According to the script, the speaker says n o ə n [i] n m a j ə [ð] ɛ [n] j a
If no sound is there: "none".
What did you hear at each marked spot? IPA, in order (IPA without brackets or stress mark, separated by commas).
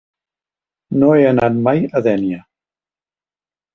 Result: a, ð, n